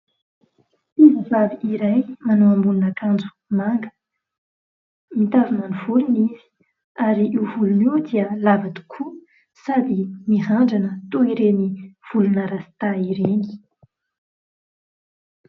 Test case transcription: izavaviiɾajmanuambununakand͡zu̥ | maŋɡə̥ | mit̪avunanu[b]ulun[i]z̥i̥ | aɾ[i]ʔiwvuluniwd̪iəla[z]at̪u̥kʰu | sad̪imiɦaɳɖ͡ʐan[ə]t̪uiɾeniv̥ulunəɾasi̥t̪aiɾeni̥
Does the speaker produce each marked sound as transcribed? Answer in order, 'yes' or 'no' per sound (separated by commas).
no, yes, yes, no, yes